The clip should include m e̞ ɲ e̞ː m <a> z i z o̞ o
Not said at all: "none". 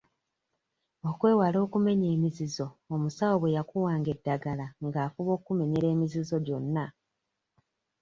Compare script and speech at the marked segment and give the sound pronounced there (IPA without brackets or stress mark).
i